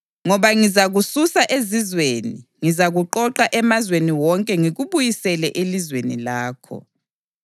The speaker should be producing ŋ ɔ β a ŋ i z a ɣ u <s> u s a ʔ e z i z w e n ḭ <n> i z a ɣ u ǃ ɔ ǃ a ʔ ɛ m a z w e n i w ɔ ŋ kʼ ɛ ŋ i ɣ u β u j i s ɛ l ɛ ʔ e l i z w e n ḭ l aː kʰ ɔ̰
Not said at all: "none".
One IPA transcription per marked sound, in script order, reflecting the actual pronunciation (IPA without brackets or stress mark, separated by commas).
s, ŋ